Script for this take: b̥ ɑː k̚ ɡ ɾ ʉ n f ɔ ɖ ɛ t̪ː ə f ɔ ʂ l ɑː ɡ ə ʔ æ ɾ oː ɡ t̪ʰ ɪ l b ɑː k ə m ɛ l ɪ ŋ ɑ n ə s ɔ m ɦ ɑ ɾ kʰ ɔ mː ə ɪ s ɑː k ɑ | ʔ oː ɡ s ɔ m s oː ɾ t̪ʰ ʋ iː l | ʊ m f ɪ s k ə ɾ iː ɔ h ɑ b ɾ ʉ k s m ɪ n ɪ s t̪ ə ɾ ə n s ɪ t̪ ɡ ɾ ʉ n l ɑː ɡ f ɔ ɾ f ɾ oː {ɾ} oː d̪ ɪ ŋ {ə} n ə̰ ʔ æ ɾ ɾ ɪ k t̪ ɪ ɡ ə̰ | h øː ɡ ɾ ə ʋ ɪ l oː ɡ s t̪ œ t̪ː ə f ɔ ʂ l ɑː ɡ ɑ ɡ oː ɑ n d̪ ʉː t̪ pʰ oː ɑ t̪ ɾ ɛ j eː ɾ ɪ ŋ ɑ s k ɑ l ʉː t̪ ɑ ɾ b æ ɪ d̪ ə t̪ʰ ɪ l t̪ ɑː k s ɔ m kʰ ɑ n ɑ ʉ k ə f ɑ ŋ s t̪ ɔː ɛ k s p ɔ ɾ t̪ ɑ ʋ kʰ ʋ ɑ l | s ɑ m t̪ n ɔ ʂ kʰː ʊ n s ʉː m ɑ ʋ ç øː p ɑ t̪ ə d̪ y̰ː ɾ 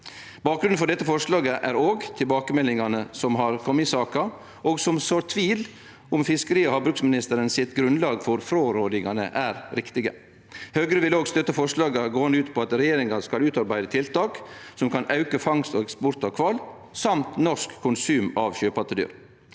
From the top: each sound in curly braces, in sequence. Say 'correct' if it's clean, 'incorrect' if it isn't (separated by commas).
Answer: correct, incorrect